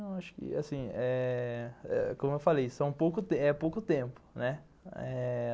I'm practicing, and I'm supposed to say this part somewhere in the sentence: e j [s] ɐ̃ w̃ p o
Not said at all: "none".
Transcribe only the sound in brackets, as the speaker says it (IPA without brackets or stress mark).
s